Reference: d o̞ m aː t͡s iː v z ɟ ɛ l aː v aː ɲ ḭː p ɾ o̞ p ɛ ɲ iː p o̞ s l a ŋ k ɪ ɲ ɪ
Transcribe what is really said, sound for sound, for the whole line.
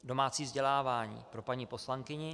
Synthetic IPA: d o̞ m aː t͡s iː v z ɟ ɛ l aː v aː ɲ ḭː p ɾ o̞ p a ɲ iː p o̞ s l a ŋ k ɪ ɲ ɪ